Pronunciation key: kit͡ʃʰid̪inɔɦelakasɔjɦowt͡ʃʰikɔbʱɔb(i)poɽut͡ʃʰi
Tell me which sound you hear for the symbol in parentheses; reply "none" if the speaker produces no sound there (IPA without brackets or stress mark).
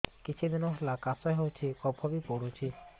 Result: i